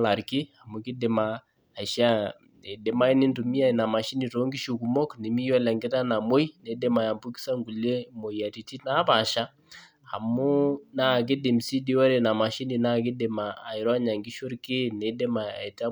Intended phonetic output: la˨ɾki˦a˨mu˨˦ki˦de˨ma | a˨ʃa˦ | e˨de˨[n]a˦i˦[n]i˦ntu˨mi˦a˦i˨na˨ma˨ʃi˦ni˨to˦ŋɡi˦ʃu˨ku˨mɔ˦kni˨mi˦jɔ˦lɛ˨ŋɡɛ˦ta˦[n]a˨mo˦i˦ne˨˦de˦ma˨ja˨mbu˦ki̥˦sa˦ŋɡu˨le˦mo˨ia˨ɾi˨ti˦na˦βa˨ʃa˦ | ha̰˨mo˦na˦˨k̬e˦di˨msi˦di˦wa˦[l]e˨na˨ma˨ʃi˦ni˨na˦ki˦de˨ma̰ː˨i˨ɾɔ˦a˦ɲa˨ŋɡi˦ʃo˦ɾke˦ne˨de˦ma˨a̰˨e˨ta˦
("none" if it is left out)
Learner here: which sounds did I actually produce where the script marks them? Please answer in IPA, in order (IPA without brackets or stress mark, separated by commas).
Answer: m, n, n, ɾ